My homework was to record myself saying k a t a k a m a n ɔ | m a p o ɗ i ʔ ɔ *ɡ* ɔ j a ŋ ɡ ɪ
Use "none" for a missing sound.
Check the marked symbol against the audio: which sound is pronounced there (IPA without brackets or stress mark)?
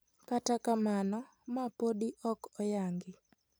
k